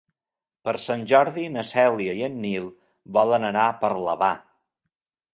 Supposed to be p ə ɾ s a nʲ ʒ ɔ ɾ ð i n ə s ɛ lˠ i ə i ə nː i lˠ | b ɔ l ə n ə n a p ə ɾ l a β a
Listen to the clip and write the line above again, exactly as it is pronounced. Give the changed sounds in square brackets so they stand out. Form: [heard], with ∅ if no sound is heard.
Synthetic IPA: p ə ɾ s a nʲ ʒ ɔ ɾ ð i n ə s ɛ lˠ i ə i ə nː i lˠ | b ɔ l ə n ə n a p ə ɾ l [ə] β a